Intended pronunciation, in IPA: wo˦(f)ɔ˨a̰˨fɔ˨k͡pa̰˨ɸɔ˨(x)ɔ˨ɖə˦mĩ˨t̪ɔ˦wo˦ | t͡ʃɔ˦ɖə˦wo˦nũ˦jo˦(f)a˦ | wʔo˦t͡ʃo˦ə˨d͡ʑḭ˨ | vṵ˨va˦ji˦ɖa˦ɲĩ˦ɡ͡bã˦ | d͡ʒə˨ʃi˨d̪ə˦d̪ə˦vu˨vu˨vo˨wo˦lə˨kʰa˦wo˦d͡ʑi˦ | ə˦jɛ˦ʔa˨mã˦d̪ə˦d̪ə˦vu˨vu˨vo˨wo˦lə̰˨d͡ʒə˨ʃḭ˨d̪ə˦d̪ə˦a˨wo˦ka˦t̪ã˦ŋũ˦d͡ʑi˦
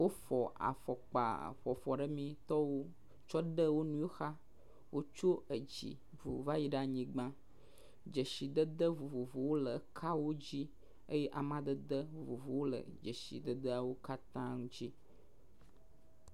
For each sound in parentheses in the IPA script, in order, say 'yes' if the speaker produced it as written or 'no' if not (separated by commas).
yes, no, no